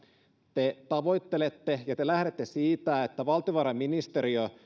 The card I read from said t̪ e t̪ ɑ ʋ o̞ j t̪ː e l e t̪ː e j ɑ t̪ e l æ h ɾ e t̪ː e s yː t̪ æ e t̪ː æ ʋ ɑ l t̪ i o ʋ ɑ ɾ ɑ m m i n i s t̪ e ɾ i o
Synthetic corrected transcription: t̪ e t̪ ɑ ʋ o̞ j t̪ː e l e t̪ː e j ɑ t̪ e l æ h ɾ e t̪ː e s iː t̪ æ e t̪ː æ ʋ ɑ l t̪ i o ʋ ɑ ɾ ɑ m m i n i s t̪ e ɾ i o